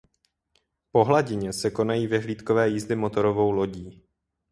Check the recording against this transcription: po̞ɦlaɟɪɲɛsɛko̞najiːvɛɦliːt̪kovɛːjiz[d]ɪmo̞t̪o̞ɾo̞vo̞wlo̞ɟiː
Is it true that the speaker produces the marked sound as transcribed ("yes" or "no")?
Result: yes